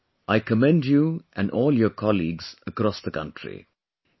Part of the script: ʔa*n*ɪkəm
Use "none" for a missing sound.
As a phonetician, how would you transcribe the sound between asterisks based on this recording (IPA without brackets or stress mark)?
none